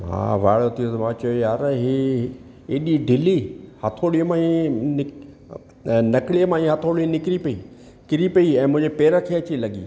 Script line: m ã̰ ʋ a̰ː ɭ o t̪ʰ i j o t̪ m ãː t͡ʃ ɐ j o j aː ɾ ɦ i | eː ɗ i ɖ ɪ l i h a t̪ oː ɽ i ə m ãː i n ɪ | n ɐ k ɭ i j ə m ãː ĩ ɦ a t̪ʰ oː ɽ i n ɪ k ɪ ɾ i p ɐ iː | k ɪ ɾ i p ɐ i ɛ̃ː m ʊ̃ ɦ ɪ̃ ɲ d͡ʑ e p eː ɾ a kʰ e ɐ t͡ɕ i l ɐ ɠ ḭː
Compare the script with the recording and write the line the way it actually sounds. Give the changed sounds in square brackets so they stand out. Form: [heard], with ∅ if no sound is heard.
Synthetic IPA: m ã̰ ʋ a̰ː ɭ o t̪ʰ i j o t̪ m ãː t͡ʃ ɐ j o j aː ɾ ɦ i | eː ɗ i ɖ ɪ l i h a [t̪ʰ] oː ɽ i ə m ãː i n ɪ | n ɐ k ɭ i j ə m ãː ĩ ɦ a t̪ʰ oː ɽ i n ɪ k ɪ ɾ i p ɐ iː | k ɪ ɾ i p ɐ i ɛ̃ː m ʊ̃ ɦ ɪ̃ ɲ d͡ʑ e p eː ɾ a kʰ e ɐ t͡ɕ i l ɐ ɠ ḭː